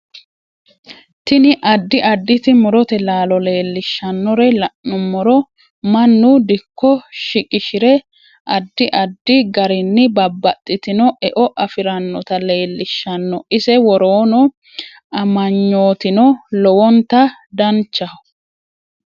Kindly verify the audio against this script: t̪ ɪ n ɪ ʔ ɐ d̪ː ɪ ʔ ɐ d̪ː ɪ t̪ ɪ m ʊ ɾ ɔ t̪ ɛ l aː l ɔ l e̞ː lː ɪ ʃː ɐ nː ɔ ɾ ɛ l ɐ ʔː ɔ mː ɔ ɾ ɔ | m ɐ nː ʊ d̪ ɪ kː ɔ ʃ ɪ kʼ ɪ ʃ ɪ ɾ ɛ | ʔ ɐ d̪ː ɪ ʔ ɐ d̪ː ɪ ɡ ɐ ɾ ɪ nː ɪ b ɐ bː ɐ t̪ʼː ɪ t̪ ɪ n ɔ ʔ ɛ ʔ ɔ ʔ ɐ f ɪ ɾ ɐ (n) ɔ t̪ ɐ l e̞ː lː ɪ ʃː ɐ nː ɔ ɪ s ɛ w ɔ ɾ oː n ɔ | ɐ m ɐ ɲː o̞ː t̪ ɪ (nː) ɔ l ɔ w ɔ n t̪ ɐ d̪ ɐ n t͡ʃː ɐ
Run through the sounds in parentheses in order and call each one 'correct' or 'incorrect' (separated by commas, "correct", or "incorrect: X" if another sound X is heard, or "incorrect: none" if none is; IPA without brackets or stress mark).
incorrect: nː, incorrect: n